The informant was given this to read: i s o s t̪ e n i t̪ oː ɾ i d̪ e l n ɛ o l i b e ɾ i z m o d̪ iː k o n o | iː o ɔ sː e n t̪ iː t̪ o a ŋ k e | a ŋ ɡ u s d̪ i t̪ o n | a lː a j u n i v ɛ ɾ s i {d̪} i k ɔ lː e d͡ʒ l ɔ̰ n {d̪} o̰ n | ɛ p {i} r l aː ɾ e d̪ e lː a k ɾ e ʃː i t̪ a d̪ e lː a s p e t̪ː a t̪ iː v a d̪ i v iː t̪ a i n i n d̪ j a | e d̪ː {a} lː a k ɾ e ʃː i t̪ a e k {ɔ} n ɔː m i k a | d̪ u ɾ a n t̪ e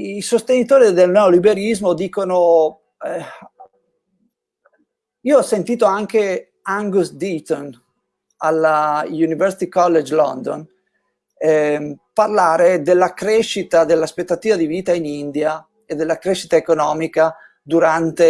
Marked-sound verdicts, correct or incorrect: incorrect, correct, incorrect, incorrect, incorrect

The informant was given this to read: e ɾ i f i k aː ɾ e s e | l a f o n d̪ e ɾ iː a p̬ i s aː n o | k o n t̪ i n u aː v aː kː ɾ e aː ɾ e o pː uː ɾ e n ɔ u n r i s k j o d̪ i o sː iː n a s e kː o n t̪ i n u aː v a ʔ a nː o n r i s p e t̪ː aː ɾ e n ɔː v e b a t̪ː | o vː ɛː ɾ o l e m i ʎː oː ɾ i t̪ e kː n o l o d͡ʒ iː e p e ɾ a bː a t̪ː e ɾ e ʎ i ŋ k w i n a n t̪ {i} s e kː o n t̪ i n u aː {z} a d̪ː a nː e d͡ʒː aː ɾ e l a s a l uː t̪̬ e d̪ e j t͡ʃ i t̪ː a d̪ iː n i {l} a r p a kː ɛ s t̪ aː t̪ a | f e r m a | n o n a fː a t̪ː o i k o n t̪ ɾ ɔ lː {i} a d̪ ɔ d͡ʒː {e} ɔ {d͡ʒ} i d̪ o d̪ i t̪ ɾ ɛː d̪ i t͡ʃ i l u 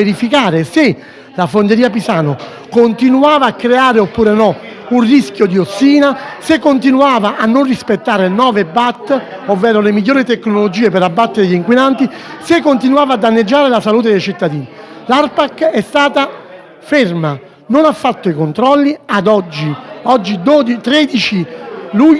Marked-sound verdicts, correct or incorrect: correct, incorrect, correct, correct, incorrect, incorrect

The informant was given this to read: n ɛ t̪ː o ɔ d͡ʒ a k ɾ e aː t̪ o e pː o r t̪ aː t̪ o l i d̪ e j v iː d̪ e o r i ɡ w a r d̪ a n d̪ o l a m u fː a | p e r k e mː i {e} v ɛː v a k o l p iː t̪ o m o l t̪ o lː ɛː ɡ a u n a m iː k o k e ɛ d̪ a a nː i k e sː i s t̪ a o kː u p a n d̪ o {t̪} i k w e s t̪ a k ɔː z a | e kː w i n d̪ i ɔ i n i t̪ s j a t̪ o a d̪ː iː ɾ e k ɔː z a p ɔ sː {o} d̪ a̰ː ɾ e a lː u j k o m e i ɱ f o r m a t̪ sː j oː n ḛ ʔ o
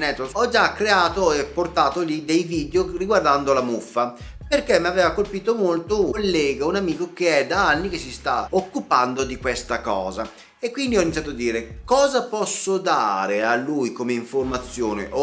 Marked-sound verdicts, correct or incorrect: incorrect, incorrect, correct

